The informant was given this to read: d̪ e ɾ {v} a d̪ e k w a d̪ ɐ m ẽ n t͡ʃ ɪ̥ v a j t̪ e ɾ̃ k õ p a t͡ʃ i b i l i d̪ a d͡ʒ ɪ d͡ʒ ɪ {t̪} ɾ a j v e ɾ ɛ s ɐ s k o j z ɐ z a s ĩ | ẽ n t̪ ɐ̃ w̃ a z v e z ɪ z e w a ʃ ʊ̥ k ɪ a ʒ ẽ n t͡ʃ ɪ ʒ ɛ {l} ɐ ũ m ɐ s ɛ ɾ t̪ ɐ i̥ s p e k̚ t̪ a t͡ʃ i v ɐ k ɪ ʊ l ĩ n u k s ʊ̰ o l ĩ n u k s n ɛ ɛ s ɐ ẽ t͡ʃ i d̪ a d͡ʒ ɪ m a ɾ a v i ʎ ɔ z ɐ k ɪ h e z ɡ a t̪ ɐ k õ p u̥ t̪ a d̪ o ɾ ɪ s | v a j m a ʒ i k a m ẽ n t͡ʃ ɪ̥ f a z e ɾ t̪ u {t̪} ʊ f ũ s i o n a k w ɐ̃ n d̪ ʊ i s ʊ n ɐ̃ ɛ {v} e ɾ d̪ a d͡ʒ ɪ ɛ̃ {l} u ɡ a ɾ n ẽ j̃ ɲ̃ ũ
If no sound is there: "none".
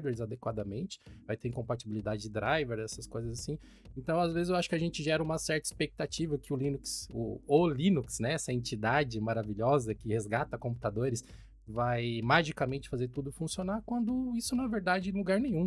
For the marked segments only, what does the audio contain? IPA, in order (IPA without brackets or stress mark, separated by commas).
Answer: z, d̪, ɾ, d̪, v, l